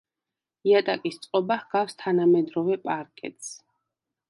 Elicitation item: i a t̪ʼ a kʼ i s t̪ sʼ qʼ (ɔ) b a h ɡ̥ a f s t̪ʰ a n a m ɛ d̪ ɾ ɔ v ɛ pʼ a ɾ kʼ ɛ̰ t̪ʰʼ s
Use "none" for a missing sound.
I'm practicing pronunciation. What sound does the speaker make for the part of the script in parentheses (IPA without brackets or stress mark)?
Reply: ɔ